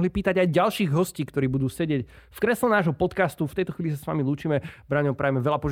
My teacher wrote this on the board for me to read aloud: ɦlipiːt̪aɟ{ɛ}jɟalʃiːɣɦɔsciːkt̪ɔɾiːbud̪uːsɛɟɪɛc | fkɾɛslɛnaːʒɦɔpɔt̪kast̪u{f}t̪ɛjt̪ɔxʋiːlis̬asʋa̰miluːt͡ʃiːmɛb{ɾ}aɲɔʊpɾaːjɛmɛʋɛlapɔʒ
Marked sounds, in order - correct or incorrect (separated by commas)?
incorrect, correct, correct